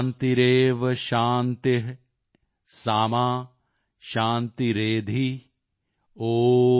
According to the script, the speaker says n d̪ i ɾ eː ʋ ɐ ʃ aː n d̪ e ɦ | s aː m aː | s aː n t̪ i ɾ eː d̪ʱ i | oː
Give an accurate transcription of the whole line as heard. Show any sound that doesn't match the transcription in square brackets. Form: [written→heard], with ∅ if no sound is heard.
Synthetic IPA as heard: n [d̪→t̪] i ɾ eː ʋ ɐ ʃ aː n [d̪→t̪] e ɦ | s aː m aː | [s→ʃ] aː n t̪ i ɾ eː d̪ʱ i | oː